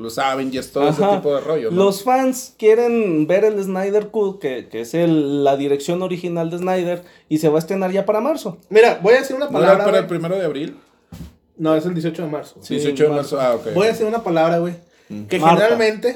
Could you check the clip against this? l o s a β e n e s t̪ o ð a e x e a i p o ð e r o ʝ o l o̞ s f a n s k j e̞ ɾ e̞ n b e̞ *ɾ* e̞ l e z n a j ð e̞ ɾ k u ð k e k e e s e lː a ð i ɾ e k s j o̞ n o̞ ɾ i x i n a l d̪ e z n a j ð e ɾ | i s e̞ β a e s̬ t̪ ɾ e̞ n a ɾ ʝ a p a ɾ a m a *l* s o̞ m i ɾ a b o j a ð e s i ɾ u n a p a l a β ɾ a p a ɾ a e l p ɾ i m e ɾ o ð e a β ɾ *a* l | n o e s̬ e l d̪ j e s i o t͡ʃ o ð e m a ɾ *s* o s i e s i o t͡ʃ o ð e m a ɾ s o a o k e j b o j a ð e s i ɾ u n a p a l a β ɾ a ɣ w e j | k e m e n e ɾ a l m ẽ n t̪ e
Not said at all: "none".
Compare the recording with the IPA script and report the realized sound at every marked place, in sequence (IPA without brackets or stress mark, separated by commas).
ɾ, ɾ, i, s